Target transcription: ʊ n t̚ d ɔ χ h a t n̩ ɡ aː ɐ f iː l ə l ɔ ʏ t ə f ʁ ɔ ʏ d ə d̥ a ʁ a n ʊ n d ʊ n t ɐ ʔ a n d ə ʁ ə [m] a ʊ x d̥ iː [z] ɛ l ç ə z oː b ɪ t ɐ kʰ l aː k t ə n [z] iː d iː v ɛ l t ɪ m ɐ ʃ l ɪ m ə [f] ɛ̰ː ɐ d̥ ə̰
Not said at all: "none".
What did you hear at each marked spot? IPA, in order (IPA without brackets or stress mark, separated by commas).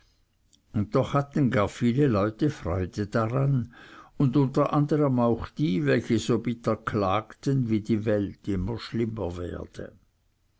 m, v, v, v